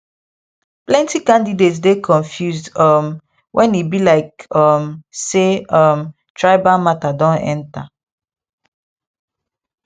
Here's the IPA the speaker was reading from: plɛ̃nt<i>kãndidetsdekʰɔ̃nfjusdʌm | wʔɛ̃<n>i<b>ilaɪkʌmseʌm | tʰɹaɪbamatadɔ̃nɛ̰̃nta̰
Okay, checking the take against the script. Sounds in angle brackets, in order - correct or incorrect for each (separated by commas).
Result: correct, correct, correct